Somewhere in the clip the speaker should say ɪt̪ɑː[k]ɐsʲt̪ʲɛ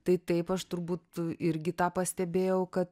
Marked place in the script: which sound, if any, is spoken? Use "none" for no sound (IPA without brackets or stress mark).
p